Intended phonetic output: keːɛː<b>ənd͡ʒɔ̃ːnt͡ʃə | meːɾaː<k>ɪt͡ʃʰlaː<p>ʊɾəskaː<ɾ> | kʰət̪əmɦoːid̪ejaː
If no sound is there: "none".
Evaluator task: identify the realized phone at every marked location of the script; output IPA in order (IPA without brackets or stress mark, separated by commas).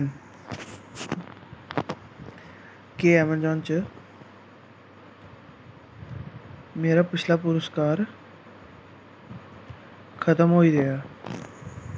m, p, p, ɾ